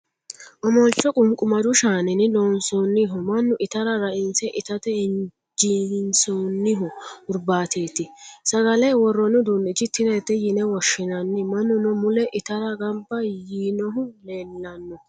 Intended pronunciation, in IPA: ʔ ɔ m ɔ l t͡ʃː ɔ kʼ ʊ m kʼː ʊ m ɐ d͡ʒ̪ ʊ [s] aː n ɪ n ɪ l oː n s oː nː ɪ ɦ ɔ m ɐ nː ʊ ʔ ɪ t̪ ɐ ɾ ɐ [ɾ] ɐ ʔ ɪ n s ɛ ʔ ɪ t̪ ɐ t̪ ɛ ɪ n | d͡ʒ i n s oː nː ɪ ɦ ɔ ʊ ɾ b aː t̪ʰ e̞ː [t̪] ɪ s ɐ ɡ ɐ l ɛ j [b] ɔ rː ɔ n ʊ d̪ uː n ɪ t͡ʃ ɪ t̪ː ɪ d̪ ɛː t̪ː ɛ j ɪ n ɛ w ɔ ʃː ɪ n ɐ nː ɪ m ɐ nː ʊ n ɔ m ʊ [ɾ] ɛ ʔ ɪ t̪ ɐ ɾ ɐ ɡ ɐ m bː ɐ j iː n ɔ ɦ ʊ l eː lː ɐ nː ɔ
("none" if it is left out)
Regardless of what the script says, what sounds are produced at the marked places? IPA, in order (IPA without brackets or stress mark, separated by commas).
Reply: ʃ, ɾ, t̪, w, l